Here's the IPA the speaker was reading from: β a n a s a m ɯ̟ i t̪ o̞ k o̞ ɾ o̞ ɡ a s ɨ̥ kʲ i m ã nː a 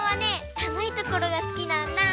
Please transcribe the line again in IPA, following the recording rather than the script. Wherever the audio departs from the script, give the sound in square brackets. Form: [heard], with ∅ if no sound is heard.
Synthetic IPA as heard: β a n [e] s a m ɯ̟ i t̪ o̞ k o̞ ɾ o̞ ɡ a s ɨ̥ kʲ i [n] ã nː a

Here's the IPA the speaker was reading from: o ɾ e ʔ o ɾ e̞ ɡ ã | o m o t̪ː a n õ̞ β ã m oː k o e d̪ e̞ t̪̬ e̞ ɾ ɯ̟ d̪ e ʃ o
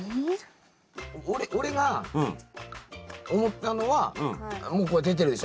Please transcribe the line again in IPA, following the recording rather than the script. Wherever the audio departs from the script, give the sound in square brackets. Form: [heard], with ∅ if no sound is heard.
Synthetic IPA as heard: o ɾ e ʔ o ɾ e̞ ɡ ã | o m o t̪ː a n [o̞] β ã m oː k o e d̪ e̞ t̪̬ e̞ ɾ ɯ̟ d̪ e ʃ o

